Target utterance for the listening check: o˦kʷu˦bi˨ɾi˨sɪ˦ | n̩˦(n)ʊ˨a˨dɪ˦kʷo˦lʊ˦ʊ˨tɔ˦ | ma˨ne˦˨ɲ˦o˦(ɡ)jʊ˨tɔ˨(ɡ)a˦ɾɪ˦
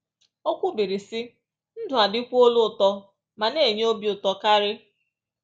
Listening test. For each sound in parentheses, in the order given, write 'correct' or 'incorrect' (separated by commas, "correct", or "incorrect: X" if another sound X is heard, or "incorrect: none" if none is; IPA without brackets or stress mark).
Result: incorrect: d, incorrect: b, incorrect: k